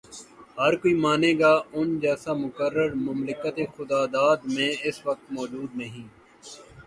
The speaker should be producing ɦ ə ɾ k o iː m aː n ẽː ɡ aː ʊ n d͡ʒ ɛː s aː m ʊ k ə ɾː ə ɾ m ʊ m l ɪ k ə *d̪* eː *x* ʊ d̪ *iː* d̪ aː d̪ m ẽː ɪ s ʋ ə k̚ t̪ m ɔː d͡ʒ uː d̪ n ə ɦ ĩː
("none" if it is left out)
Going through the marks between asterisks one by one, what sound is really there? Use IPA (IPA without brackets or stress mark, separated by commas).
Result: t̪, x, aː